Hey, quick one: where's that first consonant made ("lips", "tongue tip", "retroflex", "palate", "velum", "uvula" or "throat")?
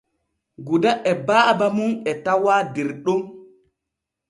velum